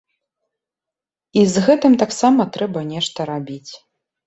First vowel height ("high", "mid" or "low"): high